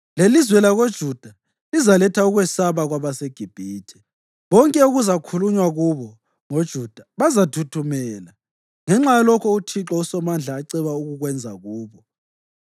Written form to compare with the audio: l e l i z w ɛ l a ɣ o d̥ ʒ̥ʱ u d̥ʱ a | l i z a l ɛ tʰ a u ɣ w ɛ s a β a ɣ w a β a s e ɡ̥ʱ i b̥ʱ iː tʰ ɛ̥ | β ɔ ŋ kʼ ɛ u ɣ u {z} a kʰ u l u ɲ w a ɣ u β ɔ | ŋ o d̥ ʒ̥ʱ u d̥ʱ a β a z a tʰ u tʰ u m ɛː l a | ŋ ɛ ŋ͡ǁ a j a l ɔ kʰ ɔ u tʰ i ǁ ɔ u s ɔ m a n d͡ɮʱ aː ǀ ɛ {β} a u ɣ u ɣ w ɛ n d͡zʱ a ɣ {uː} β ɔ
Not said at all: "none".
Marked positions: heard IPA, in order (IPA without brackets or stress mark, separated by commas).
z, β, uː